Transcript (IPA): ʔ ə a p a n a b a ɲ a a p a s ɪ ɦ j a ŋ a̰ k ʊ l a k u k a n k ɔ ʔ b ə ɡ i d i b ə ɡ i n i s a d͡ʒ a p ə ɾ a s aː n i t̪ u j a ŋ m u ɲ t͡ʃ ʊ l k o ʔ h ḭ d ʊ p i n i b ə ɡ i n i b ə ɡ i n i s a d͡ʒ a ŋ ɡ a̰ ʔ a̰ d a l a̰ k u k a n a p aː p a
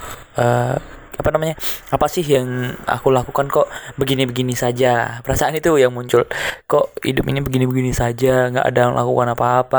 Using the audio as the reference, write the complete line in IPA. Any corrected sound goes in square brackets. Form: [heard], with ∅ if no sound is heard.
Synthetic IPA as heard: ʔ ə a p a n a [m] a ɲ a a p a s ɪ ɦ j a ŋ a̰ k [u] l a k u k a n k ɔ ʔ b ə ɡ i [n] i b ə ɡ i n i s a d͡ʒ a p ə ɾ a s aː n i t̪ u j a ŋ m u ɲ t͡ʃ ʊ l k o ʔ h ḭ d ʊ p i n i b ə ɡ i n i b ə ɡ i n i s a d͡ʒ a ŋ ɡ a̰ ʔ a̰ d a l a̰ k u k a n a p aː p a